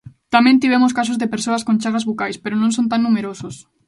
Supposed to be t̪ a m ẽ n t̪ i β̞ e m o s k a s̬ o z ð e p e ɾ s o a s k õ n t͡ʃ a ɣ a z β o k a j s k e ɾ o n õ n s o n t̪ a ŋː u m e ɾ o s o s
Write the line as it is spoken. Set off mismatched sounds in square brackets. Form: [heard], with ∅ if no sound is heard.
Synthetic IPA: t̪ a m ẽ n t̪ i β̞ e m o s k a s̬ o z ð e p e ɾ s o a s k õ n t͡ʃ a ɣ a z β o k a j s [p] e ɾ o n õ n s o n t̪ a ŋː u m e ɾ o s o s